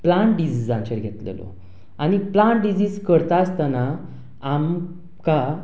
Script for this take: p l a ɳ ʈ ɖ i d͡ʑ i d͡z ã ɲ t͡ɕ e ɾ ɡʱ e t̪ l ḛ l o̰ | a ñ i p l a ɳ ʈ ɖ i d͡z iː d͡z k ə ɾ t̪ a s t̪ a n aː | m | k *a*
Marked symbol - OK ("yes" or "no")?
yes